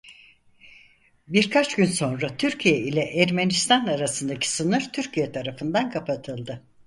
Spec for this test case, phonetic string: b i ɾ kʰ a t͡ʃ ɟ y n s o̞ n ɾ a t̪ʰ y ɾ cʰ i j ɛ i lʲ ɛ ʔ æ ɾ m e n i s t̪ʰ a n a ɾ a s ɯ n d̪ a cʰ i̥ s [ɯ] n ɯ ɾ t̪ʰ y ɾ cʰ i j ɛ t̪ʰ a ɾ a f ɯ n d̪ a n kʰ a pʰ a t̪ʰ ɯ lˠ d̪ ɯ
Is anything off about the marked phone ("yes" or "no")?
no